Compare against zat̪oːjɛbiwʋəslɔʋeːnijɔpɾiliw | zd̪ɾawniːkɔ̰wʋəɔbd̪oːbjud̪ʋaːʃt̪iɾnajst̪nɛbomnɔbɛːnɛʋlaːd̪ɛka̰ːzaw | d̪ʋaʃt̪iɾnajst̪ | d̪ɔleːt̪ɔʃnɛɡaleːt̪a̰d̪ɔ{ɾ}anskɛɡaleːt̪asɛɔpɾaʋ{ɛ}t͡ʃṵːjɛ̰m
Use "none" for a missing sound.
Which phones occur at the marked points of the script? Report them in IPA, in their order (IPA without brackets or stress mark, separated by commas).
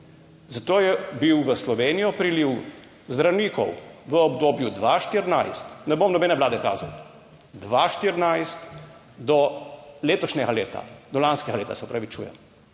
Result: l, i